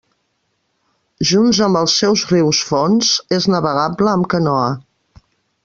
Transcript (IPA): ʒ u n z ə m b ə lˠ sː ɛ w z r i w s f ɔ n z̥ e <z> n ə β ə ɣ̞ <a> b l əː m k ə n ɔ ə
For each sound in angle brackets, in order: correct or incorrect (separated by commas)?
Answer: correct, correct